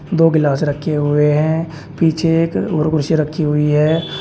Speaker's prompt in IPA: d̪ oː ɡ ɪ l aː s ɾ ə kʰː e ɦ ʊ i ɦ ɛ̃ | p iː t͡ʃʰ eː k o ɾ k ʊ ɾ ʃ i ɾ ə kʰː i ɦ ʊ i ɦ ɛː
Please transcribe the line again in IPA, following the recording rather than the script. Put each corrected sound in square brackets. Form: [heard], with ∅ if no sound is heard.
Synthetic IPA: d̪ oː ɡ ɪ l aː s ɾ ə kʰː e ɦ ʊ [e] ɦ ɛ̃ | p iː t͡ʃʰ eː k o ɾ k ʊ ɾ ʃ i ɾ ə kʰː i ɦ ʊ i ɦ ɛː